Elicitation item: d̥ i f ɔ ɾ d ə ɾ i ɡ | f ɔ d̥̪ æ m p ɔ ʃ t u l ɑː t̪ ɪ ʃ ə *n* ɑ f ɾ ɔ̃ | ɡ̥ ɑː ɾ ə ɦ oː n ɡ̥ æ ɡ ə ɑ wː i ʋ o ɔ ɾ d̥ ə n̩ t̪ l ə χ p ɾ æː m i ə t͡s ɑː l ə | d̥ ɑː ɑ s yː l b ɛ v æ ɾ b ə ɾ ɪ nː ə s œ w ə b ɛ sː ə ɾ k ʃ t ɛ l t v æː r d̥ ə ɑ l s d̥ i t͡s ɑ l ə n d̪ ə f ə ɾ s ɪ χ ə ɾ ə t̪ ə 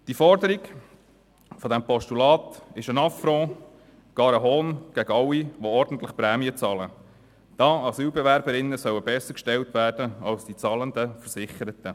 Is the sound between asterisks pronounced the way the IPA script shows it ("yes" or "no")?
yes